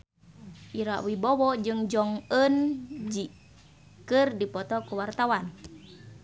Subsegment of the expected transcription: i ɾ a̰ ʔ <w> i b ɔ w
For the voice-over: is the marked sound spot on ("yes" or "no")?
yes